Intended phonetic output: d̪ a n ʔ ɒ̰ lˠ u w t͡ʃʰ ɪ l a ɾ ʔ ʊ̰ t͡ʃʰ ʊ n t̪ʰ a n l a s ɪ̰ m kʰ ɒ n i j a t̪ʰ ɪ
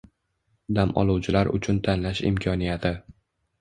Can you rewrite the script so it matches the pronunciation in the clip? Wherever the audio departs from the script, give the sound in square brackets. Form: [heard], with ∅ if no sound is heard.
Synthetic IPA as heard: d̪ a [m] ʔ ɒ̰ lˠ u w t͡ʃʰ ɪ l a ɾ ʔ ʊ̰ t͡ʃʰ ʊ n t̪ʰ a n l a [ʃ] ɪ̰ m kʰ ɒ n i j a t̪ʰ ɪ